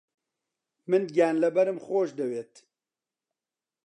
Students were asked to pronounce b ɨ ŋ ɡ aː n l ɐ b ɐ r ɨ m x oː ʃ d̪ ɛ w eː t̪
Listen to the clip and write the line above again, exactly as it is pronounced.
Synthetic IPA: m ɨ n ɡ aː n l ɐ b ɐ ɾ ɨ m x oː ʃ d̪ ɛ w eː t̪